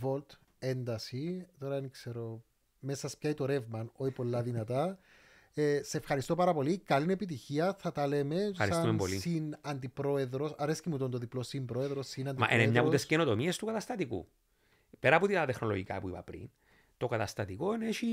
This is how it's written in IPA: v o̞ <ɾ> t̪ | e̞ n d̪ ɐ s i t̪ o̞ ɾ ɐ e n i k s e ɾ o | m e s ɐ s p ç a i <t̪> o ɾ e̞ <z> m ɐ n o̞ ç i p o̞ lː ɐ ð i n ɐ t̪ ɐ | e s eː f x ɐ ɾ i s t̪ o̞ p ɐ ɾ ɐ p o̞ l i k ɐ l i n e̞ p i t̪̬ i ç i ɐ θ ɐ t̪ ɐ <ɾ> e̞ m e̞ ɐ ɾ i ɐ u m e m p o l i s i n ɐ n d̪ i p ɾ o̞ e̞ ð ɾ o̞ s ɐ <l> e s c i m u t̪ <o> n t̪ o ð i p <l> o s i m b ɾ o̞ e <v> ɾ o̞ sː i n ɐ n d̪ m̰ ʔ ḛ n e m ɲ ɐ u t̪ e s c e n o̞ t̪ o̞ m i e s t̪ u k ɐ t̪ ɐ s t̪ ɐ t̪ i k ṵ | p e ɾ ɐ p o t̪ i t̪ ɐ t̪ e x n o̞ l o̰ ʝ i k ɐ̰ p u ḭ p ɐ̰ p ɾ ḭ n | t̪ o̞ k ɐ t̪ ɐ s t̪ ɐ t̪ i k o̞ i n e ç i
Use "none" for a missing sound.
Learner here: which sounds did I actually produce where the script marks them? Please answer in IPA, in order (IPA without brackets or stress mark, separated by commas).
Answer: l, t̪, v, l, ɾ, o, l, ð